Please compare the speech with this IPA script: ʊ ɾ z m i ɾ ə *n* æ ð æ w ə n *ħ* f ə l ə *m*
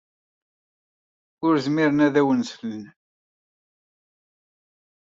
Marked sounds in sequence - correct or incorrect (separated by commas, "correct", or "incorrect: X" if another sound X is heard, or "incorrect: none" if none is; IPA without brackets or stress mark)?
correct, incorrect: s, incorrect: n